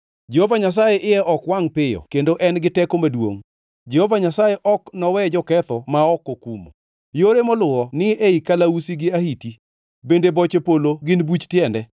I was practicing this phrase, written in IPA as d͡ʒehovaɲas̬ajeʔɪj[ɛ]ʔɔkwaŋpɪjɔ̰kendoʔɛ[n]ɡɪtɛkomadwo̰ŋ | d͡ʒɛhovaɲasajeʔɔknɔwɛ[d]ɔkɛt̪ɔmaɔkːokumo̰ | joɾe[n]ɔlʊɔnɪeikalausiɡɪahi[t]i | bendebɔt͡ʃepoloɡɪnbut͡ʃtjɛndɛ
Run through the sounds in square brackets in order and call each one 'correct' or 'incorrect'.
correct, correct, incorrect: d͡ʒ, incorrect: m, correct

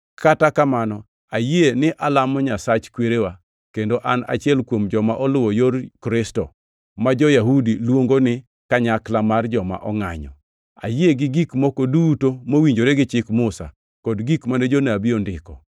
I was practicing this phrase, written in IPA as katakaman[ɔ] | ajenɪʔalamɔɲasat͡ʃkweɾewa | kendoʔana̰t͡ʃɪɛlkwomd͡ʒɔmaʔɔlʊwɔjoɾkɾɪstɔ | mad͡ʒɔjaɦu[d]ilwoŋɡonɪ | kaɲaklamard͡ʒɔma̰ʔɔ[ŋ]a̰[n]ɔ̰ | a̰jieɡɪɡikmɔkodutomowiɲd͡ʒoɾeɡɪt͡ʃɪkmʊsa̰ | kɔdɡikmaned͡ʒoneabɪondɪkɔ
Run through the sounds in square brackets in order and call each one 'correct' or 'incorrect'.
correct, correct, correct, incorrect: ɲ

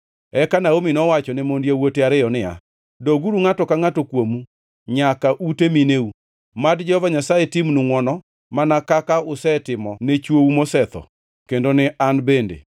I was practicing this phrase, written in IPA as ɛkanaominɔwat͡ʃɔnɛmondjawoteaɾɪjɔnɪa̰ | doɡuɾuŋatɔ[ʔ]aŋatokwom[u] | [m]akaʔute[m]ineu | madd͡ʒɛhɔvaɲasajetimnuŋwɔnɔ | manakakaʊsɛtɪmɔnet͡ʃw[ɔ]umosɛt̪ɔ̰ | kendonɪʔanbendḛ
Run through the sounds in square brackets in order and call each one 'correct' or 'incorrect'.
incorrect: k, correct, incorrect: ɲ, correct, incorrect: o

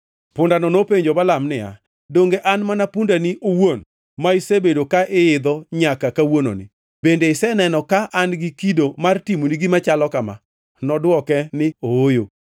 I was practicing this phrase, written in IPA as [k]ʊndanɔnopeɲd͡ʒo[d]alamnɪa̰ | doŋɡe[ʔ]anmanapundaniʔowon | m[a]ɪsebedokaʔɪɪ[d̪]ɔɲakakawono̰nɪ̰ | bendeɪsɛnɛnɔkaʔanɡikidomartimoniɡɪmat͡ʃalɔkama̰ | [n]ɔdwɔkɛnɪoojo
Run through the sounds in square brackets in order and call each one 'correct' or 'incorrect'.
incorrect: p, incorrect: b, correct, correct, correct, correct

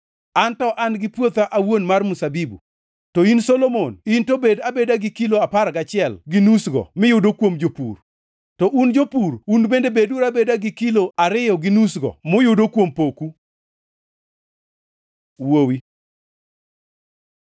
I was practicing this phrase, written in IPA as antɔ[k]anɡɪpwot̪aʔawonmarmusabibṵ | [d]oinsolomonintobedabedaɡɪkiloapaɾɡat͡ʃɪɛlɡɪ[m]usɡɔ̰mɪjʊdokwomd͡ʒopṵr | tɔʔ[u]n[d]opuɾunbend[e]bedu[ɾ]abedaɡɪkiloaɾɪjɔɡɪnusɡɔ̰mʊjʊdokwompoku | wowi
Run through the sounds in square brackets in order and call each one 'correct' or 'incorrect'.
incorrect: ʔ, incorrect: t, incorrect: n, correct, incorrect: d͡ʒ, correct, correct

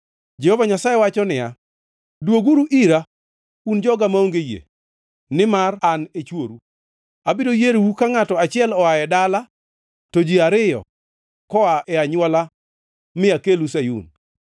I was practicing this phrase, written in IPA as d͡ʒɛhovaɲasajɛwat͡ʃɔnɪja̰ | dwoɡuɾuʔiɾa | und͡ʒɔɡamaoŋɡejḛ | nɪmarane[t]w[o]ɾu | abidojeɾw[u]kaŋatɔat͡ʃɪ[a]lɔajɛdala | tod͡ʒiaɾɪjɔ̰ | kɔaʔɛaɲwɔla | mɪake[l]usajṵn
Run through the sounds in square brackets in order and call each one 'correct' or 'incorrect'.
incorrect: t͡ʃ, correct, correct, incorrect: ɛ, correct

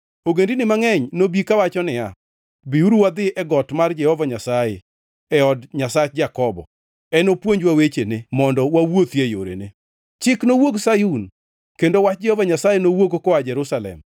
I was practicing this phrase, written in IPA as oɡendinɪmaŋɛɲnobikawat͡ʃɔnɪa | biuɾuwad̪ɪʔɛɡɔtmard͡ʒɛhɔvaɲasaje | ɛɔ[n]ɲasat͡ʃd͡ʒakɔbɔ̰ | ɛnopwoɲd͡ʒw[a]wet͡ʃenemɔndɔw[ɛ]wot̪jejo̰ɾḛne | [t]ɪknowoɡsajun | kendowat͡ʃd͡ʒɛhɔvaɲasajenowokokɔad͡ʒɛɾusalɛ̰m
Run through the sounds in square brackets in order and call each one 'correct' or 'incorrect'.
incorrect: d, correct, incorrect: a, incorrect: t͡ʃ

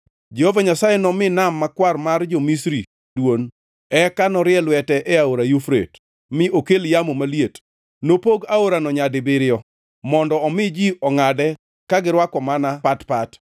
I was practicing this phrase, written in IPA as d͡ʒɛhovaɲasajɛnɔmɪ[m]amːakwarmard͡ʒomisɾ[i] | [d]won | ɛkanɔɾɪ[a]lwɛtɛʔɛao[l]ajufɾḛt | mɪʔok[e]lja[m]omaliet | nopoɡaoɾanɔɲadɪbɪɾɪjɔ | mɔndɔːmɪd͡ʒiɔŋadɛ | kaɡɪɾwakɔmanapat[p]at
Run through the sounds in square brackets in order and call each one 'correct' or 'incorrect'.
incorrect: n, correct, correct, incorrect: ɛ, incorrect: ɾ, correct, correct, correct

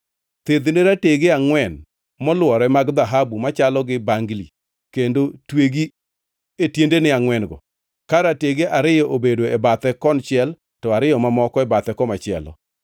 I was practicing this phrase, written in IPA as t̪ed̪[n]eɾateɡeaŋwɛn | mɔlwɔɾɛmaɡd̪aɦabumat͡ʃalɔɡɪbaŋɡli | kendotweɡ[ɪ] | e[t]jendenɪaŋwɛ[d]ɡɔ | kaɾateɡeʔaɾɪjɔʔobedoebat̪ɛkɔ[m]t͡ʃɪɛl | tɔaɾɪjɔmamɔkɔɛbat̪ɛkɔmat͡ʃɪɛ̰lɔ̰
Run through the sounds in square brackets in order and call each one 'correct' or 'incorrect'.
correct, incorrect: i, correct, incorrect: n, incorrect: n

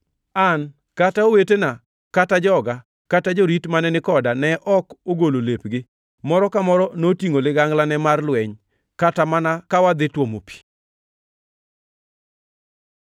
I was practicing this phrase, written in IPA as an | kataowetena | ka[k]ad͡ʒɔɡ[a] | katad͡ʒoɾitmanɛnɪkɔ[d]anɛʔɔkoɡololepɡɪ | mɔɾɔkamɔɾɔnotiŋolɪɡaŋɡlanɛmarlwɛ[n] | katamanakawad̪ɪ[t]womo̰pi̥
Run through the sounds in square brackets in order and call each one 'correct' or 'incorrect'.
incorrect: t, correct, correct, incorrect: ɲ, correct

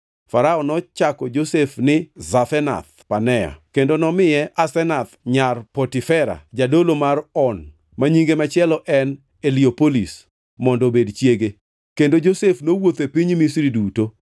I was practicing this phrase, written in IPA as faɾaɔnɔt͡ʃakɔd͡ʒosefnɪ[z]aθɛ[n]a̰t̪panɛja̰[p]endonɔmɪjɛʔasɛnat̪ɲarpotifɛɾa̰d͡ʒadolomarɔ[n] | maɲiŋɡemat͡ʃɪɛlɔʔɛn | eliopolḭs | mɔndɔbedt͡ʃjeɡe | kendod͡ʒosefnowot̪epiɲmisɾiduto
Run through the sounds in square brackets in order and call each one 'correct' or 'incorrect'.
correct, correct, incorrect: k, correct

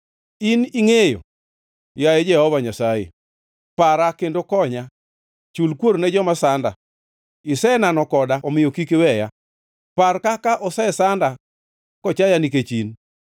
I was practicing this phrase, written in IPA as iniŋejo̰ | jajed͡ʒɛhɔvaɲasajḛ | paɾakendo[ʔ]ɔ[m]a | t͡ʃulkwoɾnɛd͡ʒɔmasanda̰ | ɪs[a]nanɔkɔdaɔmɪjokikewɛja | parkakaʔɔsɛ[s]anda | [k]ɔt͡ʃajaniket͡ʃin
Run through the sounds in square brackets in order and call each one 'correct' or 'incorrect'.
incorrect: k, incorrect: ɲ, incorrect: ɛ, correct, correct

